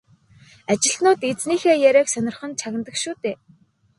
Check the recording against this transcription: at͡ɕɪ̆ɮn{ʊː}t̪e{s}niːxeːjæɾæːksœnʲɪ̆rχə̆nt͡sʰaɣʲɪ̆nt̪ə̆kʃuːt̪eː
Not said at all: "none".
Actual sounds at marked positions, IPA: ʊː, t͡s

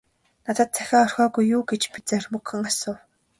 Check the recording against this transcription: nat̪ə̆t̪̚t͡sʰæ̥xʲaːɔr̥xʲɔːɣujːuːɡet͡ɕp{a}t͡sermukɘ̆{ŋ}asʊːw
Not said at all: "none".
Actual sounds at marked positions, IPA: i, ŋ

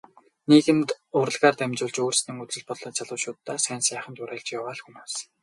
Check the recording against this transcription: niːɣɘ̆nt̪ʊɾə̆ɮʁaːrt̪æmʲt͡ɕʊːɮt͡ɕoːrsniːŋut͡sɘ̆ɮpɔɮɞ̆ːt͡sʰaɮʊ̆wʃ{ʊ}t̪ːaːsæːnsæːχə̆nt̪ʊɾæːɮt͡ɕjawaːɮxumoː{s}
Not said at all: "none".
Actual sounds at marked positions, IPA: ʊː, s

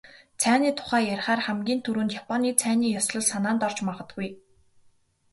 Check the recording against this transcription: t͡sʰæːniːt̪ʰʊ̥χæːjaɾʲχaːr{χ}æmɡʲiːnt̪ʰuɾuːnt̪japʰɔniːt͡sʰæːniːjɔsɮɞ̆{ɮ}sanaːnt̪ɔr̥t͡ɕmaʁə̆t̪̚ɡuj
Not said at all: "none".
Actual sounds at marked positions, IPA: χ, ɮ

